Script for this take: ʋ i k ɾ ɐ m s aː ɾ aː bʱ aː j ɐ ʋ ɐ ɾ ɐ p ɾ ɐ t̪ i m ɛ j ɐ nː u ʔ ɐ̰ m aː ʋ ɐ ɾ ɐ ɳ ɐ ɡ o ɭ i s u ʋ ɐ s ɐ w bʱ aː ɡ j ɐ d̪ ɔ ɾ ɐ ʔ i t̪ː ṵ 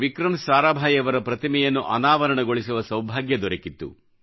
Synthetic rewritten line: ʋ i k ɾ ɐ m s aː ɾ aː bʱ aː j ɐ ʋ ɐ ɾ ɐ p ɾ ɐ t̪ i m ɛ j ɐ nː u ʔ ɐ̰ n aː ʋ ɐ ɾ ɐ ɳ ɐ ɡ o ɭ i s u ʋ ɐ s ɐ w bʱ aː ɡ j ɐ d̪ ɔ ɾ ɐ k i t̪ː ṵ